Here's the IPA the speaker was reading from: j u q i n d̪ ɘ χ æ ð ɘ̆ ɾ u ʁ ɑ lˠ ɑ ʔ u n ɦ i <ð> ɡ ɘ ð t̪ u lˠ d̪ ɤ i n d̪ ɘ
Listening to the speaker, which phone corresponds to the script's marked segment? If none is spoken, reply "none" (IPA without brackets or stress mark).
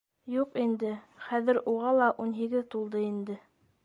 none